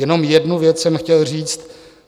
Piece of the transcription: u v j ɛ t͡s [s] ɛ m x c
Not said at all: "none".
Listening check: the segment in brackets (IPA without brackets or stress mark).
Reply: s